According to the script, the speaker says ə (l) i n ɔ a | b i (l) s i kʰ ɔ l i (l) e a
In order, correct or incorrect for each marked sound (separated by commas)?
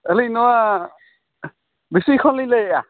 correct, incorrect, correct